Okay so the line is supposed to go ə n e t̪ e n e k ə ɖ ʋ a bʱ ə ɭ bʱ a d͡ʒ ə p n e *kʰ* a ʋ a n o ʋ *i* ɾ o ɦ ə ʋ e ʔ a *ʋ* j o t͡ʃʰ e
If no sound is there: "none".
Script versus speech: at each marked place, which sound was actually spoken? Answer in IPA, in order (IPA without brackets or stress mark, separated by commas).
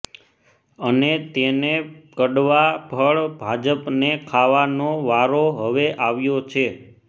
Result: kʰ, a, ʋ